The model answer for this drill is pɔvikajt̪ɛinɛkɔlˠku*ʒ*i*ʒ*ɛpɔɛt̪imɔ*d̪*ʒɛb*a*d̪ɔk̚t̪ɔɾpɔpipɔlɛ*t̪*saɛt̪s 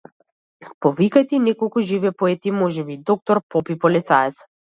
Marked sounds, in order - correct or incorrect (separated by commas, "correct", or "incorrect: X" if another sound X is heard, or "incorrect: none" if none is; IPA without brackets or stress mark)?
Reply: correct, incorrect: v, incorrect: none, incorrect: i, correct